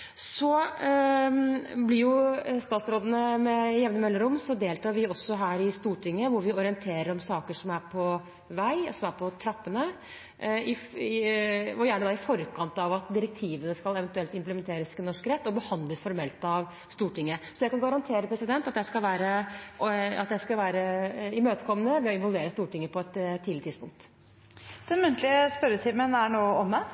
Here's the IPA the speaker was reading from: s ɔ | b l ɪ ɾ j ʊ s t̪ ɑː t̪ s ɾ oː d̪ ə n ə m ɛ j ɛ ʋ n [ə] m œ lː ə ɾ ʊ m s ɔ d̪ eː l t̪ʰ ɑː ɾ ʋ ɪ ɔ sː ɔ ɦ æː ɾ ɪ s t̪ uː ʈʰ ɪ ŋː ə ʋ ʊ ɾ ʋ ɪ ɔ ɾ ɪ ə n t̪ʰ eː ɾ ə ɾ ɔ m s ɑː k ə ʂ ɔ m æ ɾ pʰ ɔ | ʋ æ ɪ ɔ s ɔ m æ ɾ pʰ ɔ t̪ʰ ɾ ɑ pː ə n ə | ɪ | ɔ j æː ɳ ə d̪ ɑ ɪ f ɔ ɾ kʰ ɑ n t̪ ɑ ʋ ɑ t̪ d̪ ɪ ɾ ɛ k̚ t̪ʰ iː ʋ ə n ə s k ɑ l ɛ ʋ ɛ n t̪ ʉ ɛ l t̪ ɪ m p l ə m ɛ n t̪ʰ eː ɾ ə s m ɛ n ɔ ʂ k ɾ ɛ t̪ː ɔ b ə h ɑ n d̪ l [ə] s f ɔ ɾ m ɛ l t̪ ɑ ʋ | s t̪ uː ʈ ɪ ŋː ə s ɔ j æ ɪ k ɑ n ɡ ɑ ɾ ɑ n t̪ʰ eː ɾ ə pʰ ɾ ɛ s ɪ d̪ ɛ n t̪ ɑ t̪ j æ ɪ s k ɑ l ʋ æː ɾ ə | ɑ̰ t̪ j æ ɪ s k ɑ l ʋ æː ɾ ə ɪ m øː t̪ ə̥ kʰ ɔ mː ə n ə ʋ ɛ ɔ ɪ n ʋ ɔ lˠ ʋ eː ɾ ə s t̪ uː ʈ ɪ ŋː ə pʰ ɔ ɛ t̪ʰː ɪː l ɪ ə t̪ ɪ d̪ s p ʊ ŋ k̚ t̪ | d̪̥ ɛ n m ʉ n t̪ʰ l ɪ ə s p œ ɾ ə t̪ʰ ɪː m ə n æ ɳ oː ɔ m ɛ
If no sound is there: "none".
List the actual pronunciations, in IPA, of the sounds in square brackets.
ə, ə

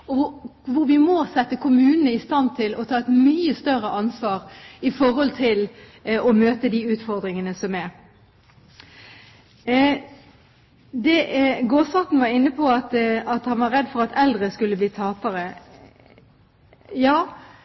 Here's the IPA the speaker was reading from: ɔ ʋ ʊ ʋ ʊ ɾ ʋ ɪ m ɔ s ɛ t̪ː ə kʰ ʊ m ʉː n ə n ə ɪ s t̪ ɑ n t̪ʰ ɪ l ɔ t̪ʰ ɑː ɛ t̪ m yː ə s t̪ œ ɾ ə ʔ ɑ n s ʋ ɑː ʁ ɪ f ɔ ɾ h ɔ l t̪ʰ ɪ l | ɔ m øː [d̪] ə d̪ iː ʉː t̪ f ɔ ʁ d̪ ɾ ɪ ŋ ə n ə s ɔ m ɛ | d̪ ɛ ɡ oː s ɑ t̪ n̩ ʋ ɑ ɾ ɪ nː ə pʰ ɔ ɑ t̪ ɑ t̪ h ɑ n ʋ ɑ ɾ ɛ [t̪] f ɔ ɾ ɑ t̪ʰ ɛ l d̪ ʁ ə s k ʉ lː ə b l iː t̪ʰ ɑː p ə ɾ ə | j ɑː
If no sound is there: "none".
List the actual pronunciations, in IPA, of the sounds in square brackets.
t̪, d̪

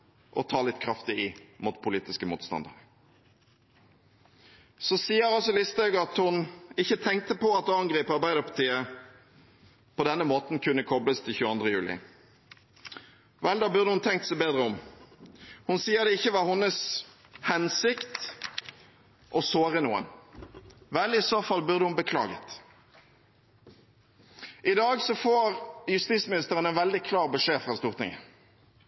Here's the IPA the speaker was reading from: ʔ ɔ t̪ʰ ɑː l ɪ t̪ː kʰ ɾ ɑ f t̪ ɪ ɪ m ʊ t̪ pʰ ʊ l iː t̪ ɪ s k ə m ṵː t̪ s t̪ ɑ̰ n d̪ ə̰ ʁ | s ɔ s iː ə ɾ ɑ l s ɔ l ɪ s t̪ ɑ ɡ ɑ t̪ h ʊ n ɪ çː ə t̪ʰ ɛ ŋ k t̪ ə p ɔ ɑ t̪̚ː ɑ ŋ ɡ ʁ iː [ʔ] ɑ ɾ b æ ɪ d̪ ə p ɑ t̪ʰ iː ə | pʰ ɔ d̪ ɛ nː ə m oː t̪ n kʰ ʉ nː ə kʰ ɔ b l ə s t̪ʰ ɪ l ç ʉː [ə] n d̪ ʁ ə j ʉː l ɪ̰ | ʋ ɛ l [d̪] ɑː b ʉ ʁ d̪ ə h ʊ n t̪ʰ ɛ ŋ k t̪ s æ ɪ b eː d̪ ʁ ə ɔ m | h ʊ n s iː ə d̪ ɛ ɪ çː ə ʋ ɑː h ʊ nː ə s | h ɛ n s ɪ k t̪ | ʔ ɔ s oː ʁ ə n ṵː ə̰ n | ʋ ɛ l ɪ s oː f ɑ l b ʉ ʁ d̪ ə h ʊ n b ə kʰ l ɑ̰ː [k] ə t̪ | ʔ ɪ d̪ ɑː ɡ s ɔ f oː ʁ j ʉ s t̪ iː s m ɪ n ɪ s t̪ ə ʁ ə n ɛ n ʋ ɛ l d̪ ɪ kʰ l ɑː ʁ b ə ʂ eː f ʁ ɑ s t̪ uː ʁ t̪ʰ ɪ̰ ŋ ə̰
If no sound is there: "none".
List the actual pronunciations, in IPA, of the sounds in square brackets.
p, ɑ, d̪, ɡ

